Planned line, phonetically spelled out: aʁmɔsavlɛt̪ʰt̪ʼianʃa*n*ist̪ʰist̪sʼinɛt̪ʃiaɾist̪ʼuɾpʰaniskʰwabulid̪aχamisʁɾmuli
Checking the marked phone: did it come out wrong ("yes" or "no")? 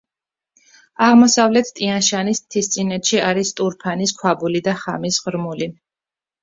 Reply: no